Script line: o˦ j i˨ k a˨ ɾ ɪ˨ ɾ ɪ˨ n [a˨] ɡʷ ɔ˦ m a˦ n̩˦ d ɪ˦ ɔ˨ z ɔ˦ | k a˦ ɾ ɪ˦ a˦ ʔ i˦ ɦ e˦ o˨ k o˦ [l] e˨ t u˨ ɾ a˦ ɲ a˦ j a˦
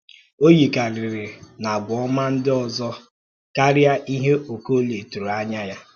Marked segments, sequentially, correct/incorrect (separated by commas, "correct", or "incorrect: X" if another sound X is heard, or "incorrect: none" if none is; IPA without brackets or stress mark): correct, correct